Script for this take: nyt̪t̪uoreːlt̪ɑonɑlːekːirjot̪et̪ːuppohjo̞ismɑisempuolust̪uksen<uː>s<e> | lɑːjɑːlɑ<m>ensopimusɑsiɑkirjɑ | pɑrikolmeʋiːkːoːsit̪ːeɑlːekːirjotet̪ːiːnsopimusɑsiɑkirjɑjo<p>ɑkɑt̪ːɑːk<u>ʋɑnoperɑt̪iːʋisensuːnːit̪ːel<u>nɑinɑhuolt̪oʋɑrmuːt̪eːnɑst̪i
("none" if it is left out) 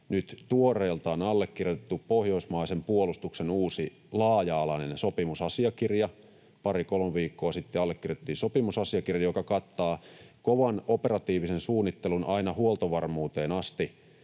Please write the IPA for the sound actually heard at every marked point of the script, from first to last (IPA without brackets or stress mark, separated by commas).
uː, i, n, k, o, u